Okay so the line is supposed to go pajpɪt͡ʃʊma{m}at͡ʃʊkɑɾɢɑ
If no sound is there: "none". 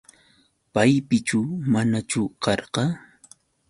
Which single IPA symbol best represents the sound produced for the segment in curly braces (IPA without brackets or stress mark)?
n